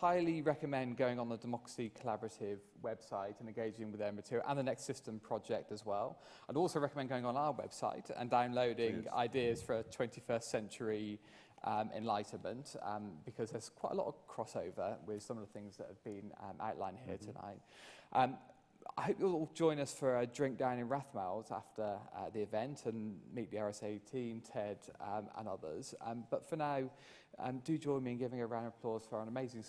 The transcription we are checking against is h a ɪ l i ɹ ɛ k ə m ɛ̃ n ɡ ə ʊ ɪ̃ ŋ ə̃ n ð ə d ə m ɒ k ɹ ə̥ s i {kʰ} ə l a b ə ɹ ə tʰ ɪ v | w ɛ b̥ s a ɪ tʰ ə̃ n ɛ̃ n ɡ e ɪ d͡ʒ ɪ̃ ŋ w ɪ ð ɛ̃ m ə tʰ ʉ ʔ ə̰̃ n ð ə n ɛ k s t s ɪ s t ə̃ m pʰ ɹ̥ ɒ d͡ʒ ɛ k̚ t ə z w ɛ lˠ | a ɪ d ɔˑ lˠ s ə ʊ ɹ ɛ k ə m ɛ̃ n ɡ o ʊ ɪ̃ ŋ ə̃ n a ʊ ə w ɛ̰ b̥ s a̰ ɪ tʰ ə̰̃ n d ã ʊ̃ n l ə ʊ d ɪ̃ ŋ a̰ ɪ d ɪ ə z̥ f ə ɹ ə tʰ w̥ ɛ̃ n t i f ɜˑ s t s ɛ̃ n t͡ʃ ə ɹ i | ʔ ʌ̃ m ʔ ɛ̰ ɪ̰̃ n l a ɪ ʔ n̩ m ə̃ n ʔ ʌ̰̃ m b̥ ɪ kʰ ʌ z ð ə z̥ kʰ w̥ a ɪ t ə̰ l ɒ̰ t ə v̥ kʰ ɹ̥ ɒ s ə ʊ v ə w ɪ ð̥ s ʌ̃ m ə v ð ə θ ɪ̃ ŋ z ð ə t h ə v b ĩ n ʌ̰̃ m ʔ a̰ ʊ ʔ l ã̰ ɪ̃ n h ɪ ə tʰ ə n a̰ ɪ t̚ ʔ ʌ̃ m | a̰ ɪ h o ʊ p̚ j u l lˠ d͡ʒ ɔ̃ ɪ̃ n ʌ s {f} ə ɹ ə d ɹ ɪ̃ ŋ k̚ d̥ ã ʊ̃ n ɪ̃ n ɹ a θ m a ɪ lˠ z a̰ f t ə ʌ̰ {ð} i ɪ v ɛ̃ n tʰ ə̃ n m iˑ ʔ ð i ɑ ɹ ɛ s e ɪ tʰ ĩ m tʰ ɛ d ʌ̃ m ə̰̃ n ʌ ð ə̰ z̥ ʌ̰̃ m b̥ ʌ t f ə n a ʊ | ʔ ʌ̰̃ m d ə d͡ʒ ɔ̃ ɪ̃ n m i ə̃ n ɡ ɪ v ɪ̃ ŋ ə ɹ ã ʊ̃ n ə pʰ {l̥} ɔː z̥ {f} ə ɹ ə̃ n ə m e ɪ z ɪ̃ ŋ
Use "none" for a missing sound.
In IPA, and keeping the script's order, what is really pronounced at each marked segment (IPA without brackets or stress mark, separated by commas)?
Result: kʰ, f, ð, l̥, f